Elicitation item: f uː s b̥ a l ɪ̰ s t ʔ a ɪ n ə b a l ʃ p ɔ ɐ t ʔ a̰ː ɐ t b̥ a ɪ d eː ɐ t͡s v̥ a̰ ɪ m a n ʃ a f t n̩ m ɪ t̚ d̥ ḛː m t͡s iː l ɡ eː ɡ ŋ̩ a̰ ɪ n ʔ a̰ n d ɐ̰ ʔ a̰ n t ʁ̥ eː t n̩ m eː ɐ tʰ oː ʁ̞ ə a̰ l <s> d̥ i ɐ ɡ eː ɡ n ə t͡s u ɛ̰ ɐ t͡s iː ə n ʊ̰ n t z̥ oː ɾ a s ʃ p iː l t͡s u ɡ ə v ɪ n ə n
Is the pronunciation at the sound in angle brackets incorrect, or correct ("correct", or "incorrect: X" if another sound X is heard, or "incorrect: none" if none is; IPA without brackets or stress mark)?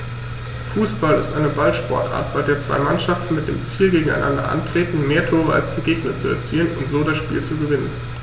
correct